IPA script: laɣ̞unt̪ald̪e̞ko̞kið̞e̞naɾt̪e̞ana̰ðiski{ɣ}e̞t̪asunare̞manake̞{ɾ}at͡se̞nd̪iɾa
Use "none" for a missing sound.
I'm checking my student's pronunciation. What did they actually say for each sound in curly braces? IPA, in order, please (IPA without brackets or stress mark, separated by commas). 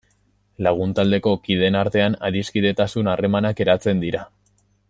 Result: ð, ɾ